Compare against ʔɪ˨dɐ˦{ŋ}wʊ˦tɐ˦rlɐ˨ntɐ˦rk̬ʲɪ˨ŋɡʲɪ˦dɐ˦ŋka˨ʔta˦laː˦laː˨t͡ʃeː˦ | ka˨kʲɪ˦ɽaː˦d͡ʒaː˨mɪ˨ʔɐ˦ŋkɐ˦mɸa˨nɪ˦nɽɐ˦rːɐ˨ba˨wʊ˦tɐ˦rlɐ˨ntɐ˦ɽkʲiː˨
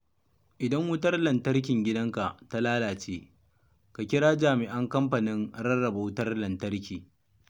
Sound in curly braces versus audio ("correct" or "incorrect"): correct